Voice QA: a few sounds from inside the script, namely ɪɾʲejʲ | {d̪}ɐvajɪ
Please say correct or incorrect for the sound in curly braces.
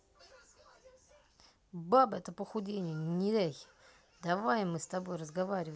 correct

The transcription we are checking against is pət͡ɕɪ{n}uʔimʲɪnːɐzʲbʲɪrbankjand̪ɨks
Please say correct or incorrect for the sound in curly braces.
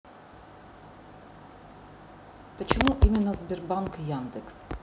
incorrect: m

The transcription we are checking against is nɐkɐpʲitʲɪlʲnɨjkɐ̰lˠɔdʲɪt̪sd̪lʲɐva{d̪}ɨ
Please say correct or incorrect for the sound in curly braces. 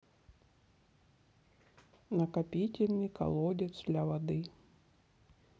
correct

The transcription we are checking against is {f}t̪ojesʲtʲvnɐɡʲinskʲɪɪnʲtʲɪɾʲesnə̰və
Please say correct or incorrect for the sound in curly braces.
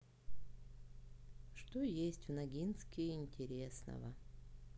incorrect: ʂ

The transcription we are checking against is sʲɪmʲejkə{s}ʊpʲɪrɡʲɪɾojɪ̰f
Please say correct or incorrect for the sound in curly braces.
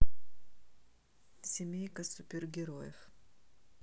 correct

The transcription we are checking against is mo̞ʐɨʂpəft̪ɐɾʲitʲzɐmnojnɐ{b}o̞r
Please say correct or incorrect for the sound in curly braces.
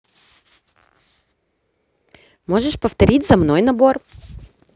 correct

